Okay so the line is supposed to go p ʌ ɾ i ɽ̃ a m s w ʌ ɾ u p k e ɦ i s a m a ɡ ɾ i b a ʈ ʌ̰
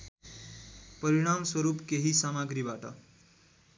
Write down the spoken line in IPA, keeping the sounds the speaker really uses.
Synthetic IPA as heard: p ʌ ɾ i ɽ̃ a m s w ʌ ɾ u p k e ɦ i s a m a ɡ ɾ i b a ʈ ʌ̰